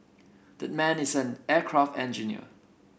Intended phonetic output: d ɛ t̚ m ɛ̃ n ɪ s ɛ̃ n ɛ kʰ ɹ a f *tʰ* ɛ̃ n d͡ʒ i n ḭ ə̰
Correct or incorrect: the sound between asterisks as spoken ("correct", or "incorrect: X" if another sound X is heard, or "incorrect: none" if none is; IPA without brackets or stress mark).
incorrect: t